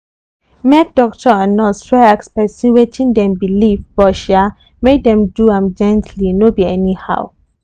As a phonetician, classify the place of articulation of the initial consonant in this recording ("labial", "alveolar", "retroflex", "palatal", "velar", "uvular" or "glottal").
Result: labial